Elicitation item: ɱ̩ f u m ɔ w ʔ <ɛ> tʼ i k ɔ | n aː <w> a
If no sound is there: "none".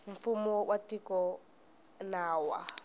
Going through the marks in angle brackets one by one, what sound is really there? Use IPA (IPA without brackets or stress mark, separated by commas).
a, w